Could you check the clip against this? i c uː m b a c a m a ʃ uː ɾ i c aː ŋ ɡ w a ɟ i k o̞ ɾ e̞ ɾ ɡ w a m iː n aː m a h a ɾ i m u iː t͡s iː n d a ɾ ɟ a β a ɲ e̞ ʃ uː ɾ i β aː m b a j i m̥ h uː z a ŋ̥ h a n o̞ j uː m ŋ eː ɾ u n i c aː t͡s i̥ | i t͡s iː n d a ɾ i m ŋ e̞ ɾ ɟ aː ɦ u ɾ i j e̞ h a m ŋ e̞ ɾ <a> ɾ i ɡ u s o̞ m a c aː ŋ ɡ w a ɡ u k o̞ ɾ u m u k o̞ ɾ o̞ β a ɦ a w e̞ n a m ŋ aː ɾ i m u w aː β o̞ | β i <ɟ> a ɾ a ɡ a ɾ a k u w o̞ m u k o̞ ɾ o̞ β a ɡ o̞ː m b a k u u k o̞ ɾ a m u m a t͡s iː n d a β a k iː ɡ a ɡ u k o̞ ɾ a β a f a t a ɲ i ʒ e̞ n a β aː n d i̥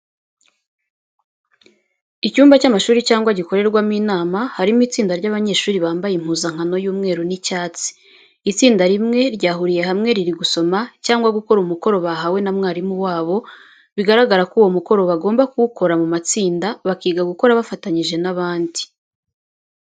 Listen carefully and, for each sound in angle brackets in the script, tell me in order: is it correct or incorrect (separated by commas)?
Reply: incorrect, incorrect